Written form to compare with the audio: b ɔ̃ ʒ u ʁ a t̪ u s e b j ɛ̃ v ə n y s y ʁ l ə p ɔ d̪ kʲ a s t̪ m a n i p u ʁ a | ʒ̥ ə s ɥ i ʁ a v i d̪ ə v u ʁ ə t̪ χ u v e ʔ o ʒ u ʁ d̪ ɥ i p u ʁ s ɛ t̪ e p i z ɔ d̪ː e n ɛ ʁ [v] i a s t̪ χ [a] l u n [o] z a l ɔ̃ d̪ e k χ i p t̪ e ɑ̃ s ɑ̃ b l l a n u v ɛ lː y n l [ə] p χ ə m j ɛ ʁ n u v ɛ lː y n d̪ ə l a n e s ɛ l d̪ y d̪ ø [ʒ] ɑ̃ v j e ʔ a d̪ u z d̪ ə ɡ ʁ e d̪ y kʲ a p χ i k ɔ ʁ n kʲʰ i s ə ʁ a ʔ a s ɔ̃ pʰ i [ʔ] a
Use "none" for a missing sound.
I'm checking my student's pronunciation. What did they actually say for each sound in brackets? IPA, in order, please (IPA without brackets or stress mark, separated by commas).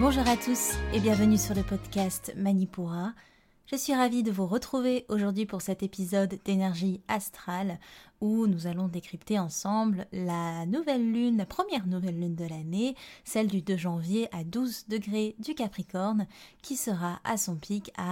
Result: ʒ, a, u, a, ʒ, k